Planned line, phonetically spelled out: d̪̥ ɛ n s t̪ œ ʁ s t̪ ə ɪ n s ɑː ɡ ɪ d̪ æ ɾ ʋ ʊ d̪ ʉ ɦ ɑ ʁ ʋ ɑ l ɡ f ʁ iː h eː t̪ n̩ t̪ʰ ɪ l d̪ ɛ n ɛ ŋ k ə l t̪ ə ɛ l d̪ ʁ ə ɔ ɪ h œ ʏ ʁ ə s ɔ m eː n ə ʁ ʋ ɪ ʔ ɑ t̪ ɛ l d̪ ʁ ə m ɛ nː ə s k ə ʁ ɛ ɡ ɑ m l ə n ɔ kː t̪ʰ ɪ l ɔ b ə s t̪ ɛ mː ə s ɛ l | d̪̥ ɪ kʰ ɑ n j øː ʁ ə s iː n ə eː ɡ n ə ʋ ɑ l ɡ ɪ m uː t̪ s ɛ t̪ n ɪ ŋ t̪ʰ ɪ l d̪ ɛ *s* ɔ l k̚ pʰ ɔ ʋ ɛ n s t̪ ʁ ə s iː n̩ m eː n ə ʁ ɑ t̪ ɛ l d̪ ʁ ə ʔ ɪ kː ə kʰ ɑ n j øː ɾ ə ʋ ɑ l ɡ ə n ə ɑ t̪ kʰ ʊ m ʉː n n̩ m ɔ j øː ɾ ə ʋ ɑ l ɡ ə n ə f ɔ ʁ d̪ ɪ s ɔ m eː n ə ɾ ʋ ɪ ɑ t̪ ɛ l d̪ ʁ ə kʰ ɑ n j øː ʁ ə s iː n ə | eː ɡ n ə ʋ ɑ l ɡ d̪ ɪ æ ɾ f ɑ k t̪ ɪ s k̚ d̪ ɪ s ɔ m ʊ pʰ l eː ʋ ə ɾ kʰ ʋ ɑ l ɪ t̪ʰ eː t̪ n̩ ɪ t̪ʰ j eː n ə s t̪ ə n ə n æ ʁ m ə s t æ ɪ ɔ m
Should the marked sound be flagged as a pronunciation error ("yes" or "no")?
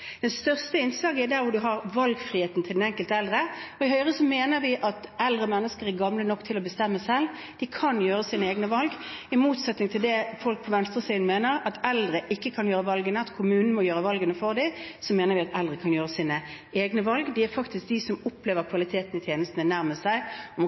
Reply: yes